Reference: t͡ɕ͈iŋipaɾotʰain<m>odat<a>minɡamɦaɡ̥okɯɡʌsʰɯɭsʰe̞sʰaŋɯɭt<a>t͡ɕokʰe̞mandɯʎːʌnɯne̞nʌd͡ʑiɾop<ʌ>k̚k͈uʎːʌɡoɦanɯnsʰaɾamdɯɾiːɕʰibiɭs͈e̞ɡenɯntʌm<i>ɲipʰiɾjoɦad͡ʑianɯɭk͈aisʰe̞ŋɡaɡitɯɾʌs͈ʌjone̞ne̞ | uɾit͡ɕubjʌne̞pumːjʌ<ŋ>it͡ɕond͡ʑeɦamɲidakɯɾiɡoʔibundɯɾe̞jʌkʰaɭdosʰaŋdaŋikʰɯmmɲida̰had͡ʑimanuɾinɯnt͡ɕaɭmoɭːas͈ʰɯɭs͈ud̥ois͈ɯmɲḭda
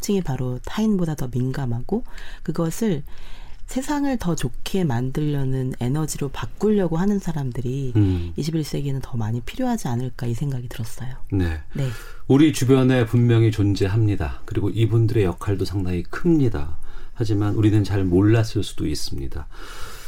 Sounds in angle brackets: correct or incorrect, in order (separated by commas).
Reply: incorrect, incorrect, incorrect, incorrect, incorrect, correct